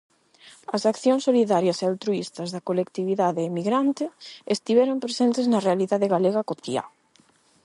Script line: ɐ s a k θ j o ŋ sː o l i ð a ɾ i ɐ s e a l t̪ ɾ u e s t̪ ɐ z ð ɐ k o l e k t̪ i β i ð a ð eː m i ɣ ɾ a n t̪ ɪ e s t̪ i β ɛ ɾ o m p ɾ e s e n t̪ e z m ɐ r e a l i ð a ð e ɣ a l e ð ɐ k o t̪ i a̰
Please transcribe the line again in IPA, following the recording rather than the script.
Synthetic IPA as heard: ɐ s a k θ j o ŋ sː o l i ð a ɾ j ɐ s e a l t̪ ɾ u i s t̪ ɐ z ð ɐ k o l e k t̪ i β i ð a ð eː m i ɣ ɾ a n t̪ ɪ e s t̪ i β ɛ ɾ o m p ɾ e s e n t̪ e z n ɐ r e a l i ð a ð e ɣ a l e ɣ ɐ k o t̪ i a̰